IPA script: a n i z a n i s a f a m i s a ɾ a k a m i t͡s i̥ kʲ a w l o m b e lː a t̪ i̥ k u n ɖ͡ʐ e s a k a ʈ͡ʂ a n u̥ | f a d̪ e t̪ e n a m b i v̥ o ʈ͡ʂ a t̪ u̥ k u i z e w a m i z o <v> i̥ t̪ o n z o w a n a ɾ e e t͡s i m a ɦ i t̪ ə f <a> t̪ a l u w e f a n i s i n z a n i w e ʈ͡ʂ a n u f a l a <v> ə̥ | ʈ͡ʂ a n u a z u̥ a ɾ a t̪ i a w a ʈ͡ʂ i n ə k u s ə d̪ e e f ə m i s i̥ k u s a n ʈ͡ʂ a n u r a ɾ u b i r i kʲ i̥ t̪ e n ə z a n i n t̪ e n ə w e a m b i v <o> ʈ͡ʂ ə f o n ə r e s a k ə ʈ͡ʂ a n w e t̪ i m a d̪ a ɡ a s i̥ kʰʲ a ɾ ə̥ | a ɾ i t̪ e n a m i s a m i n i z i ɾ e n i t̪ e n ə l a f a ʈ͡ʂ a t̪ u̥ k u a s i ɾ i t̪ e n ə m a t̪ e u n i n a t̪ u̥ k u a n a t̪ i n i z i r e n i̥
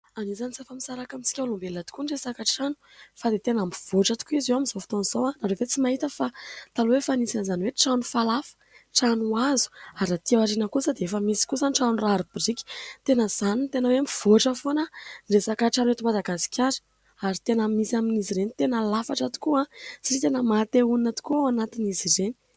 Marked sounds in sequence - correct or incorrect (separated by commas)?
incorrect, correct, incorrect, correct